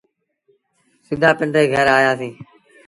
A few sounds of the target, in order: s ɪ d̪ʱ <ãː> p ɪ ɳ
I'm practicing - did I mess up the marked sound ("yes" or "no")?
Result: yes